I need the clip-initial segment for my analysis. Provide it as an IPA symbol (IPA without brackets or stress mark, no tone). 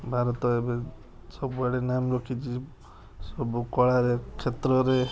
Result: bʱ